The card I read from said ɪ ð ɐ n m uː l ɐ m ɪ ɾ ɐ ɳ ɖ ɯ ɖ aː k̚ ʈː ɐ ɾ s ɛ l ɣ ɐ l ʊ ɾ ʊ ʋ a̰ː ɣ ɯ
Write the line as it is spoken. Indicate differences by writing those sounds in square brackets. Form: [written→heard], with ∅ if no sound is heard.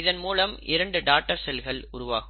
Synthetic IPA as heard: ɪ ð ɐ n m uː l ɐ m ɪ ɾ ɐ ɳ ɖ ɯ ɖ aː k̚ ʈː ɐ ɾ s ɛ l ɣ ɐ [l→ɭ] ʊ ɾ ʊ ʋ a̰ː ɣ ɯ